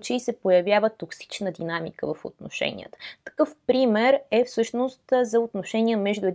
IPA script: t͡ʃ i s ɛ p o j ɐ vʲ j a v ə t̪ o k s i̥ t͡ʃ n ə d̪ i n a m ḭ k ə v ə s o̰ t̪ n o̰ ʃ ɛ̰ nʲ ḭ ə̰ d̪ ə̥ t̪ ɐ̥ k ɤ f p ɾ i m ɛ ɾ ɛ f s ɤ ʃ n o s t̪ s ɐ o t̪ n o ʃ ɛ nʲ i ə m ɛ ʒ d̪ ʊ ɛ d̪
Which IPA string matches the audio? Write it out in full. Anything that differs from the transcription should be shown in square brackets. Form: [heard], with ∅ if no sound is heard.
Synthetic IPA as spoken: t͡ʃ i s ɛ p o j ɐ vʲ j a v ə t̪ o k s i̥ t͡ʃ n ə d̪ i n a m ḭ k ə v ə [f] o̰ t̪ n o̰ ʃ ɛ̰ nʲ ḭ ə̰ [t̪] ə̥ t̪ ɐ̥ k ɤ f p ɾ i m ɛ ɾ ɛ f s ɤ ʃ n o s t̪ [z] ɐ o t̪ n o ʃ ɛ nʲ i ə m ɛ ʒ d̪ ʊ ɛ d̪